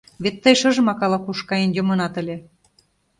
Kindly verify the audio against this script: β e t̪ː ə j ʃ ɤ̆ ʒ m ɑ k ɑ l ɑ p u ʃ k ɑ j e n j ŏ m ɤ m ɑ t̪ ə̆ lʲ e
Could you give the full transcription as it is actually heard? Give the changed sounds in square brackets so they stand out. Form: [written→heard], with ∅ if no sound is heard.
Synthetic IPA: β e t̪ː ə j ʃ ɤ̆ ʒ m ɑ k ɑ l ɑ [p→k] u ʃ k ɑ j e n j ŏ m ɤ [m→n] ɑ t̪ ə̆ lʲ e